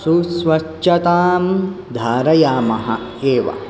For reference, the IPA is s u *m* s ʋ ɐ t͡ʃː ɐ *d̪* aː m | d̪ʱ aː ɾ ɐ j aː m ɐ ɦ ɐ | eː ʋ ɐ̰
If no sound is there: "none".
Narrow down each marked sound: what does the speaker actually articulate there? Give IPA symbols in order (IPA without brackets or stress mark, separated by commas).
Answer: none, t̪